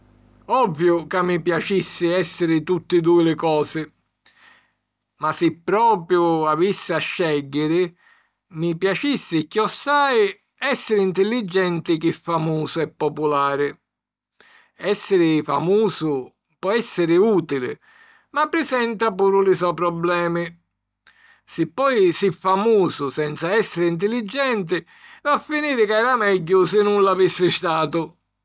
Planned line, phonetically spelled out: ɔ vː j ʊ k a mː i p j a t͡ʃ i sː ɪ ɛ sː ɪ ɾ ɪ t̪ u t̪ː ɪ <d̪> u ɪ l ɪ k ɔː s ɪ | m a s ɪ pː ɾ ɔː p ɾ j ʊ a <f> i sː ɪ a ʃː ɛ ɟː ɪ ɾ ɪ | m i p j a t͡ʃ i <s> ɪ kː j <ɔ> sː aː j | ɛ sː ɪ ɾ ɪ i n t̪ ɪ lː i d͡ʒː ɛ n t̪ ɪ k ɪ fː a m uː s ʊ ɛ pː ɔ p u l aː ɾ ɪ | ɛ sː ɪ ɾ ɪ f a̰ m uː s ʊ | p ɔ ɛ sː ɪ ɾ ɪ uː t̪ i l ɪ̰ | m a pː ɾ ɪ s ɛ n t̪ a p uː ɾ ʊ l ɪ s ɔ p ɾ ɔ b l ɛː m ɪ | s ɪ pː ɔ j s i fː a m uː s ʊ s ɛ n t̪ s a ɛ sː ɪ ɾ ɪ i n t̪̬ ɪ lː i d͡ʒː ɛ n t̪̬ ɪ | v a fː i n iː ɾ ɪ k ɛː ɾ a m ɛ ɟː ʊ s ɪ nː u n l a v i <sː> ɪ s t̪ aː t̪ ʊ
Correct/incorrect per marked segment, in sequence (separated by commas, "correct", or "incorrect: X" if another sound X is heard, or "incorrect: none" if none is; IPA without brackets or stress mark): correct, incorrect: v, incorrect: sː, correct, correct